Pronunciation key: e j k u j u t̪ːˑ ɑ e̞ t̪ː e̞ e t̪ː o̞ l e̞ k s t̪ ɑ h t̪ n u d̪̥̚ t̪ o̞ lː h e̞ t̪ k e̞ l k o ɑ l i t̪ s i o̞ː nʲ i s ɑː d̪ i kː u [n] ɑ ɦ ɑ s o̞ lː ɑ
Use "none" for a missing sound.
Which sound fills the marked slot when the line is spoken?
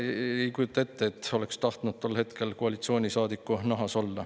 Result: n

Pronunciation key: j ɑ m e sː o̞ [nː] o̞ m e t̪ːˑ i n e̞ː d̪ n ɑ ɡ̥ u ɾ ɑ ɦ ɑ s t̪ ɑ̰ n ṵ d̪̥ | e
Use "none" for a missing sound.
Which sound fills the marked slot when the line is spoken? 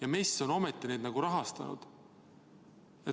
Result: n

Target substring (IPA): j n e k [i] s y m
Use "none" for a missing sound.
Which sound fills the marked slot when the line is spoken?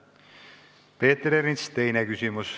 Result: y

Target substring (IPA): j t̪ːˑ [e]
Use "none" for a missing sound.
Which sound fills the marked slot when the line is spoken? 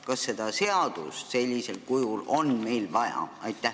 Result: æ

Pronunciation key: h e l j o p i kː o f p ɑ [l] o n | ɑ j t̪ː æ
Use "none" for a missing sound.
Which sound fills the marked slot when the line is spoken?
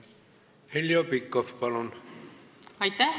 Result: l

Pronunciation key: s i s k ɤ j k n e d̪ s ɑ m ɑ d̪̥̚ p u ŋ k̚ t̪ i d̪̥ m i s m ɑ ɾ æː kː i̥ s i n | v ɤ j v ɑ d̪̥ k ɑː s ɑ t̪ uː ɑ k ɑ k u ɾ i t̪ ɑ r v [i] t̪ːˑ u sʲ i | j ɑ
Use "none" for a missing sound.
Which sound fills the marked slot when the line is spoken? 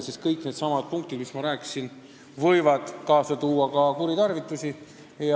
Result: i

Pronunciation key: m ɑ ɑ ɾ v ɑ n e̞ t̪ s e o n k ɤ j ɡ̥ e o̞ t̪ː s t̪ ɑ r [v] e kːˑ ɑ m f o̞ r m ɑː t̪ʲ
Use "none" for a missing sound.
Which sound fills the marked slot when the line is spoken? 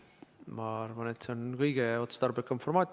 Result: b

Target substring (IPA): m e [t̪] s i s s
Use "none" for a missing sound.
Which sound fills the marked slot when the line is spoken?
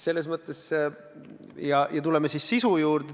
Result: none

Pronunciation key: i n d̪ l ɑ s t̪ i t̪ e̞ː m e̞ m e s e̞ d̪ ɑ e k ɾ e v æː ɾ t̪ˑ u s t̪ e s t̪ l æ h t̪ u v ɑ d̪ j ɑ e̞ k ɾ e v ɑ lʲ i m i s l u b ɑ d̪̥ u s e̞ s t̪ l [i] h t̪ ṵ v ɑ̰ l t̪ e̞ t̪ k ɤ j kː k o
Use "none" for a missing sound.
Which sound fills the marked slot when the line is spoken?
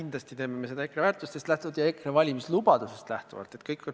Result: æ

